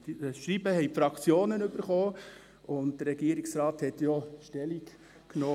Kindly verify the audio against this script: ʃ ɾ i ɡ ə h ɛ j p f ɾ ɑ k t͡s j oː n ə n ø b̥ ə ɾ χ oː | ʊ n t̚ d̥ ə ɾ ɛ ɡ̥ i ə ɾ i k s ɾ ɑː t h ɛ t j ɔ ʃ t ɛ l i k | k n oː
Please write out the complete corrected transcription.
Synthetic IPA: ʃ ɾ i b ə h ɛ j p f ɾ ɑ k t͡s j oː n ə n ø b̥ ə ɾ χ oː | ʊ n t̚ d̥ ə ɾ ɛ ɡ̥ i ə ɾ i k s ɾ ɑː t h ɛ t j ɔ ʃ t ɛ l i k | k n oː